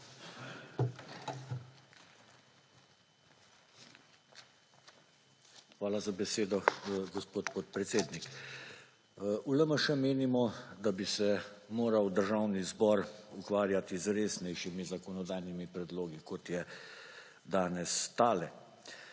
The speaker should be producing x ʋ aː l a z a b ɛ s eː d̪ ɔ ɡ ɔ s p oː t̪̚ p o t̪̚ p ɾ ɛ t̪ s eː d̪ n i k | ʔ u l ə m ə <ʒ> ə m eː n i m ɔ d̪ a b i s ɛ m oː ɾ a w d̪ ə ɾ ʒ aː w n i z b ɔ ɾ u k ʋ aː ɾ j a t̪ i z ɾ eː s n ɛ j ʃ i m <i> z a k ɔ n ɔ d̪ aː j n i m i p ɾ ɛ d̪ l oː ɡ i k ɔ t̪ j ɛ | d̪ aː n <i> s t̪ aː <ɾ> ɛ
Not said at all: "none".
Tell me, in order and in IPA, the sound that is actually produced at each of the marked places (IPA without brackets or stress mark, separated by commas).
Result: ʃ, i, ɛ, l